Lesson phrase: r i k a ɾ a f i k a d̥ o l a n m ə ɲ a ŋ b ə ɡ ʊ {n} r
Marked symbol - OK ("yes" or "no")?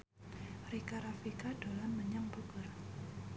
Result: no